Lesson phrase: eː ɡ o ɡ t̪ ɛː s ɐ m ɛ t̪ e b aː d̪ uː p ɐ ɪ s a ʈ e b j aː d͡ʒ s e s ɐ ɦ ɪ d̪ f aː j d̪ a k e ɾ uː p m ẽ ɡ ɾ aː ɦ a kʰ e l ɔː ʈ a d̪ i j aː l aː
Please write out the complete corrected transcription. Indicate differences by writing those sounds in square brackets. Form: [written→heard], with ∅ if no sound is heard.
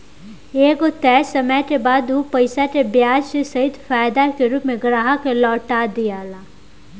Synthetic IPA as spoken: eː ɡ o [ɡ→∅] t̪ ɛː s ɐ m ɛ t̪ e b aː d̪ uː p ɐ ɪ s a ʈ e b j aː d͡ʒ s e s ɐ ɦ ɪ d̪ f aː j d̪ a k e ɾ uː p m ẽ ɡ ɾ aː ɦ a [kʰ→k] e l ɔː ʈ a d̪ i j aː l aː